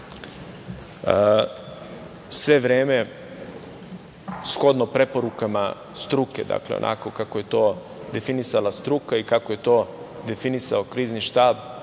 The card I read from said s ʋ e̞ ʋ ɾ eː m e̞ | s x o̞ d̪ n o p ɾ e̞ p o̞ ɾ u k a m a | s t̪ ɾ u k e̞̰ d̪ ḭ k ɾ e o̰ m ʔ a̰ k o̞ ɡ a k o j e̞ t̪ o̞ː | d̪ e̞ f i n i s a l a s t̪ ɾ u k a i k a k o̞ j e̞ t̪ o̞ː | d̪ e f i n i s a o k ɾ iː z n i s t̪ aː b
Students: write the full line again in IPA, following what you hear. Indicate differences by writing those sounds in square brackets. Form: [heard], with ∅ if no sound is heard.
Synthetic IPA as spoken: s ʋ e̞ ʋ ɾ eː m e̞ | s x o̞ d̪ n o p ɾ e̞ p o̞ ɾ u k a m a | s t̪ ɾ u k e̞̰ d̪ [a̰] k [l] e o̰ [n] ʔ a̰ k o̞ [k] a k o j e̞ t̪ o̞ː | d̪ e̞ f i n i s a l a s t̪ ɾ u k a i k a k o̞ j e̞ t̪ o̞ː | d̪ e f i n i s a o k ɾ iː z n i [ʃ] t̪ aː b